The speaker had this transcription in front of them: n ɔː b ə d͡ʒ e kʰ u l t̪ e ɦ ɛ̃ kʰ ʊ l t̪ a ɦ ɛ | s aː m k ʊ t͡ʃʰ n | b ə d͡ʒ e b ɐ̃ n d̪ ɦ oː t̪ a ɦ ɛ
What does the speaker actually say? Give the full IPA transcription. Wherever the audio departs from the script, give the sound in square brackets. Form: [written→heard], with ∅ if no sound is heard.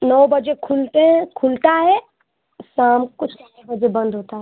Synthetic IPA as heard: n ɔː b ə d͡ʒ e kʰ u l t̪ e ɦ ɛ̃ kʰ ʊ l t̪ a ɦ ɛ | s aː m k ʊ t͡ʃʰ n | b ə d͡ʒ e b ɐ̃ n d̪ ɦ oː t̪ a ɦ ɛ